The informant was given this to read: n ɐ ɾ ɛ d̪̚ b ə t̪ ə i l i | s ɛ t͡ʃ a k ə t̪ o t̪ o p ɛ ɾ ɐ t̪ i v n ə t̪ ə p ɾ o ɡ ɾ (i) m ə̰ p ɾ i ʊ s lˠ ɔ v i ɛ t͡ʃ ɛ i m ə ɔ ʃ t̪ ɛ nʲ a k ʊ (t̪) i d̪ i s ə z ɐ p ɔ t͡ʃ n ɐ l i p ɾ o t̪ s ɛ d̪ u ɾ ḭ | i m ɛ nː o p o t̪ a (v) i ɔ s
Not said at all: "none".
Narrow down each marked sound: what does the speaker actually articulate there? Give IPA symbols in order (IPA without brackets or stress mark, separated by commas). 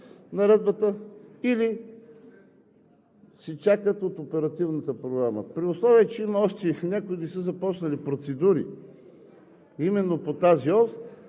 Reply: a, none, z